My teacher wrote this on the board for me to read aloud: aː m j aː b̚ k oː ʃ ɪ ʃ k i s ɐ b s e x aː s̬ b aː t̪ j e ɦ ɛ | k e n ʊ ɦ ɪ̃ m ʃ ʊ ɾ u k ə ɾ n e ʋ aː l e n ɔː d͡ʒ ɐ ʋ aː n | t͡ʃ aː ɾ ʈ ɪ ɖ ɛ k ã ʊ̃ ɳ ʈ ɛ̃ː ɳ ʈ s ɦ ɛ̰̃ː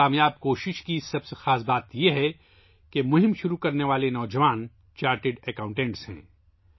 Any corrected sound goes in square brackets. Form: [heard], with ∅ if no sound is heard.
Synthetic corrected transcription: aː m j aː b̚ k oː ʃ ɪ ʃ k i s ɐ b s e x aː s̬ b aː t̪ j e ɦ ɛ | k e [m] ʊ ɦ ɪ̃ m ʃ ʊ ɾ u k [ɐ] ɾ n e ʋ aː l e n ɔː d͡ʒ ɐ ʋ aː n | t͡ʃ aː ɾ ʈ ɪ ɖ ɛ k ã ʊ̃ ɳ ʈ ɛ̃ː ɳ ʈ s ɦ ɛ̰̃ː

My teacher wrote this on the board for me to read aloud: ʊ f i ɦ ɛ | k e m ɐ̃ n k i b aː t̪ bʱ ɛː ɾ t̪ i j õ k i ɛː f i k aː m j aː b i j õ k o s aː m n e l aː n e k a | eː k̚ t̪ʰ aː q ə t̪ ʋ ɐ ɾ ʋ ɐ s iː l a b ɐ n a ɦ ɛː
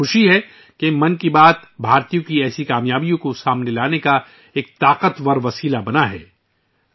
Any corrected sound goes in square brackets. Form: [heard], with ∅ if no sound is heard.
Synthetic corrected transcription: ʊ [ʃ] i ɦ ɛ | k e m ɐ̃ n k i b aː t̪ bʱ [aː] ɾ t̪ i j õ k i ɛː [s] i k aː m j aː b i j õ k o s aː m n e l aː n e k a | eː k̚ [t̪] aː q ə t̪ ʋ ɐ ɾ ʋ ɐ s iː l a b ɐ n a ɦ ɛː

